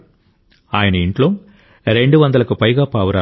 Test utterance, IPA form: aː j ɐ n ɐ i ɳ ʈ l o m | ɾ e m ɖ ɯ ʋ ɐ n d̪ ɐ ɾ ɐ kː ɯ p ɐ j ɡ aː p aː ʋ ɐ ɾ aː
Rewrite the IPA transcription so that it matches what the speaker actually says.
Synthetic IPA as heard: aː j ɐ n ɐ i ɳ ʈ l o m | ɾ e ɳ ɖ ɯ ʋ ɐ n d̪ ɐ l ɐ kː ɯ p ɐ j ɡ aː p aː ʋ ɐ ɾ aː